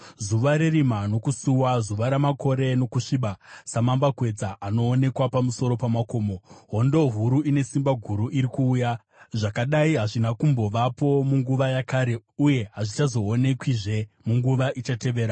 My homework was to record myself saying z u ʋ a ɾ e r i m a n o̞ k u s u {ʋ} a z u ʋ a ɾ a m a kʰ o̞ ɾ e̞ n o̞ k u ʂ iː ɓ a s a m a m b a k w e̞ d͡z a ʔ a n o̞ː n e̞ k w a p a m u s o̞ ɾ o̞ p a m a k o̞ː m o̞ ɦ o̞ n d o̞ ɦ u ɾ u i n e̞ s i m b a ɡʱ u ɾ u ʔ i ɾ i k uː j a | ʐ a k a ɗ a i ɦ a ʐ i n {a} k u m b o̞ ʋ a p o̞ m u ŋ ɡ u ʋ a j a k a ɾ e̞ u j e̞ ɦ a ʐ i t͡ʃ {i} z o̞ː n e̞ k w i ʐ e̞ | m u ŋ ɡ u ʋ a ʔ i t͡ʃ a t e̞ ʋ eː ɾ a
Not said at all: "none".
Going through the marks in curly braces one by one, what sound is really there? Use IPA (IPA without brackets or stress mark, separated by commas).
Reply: w, a, a